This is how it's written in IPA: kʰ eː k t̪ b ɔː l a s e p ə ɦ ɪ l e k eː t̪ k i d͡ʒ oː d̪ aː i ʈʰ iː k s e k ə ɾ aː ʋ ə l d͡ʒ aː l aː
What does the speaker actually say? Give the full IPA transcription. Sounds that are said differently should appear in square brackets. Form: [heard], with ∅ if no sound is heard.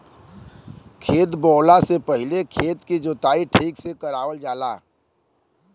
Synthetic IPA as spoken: kʰ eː [∅] t̪ b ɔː l a s e p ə ɦ ɪ l e [kʰ] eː t̪ k i d͡ʒ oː [t̪] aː i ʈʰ iː k s e k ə ɾ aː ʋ ə l d͡ʒ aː l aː